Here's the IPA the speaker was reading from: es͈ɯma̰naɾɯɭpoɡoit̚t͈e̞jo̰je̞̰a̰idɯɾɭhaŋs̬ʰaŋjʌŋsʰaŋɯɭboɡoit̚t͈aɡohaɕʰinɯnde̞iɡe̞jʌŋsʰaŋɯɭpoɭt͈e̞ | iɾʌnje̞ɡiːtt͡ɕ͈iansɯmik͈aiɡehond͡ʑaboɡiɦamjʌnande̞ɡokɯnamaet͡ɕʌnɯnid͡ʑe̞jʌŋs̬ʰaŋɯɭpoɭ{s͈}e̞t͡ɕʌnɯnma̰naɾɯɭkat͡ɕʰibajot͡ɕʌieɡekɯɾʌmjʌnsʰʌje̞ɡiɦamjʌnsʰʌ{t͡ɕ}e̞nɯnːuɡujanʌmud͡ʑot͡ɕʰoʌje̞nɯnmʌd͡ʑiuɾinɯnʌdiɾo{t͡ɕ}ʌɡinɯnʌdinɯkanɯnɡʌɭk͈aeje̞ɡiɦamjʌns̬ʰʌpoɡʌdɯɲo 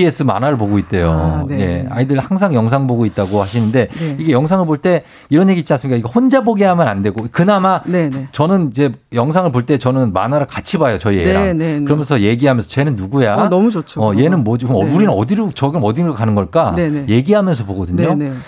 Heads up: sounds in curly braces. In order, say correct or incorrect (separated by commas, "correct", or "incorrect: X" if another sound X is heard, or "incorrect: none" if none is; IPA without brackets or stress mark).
incorrect: t͈, correct, correct